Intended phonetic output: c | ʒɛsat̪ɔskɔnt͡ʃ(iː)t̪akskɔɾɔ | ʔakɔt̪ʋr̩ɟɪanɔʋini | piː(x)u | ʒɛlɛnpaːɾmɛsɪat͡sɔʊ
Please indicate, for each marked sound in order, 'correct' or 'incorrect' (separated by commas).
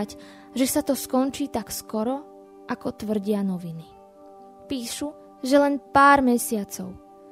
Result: correct, incorrect